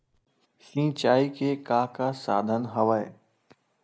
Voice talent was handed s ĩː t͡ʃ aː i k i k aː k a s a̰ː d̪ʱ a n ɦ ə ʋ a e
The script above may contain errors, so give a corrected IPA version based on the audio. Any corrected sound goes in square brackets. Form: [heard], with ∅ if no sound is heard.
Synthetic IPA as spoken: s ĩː t͡ʃ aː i k [e] k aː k a s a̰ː d̪ʱ [ə] n ɦ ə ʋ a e